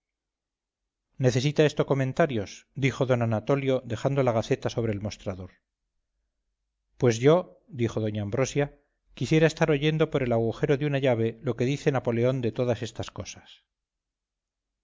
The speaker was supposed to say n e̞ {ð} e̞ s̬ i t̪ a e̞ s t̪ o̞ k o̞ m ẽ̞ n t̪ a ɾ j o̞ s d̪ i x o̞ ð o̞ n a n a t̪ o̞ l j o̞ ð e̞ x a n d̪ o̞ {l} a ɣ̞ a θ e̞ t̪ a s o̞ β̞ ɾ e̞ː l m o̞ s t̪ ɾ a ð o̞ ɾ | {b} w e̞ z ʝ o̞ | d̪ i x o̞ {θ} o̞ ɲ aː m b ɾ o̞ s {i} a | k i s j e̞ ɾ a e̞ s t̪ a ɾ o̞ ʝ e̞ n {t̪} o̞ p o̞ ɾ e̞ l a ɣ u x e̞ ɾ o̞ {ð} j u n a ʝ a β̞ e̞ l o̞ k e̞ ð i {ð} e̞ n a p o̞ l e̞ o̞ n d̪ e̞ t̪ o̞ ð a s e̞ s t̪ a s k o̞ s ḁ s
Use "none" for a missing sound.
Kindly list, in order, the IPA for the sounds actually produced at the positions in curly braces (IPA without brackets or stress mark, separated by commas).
θ, l, p, ð, j, d̪, ð, θ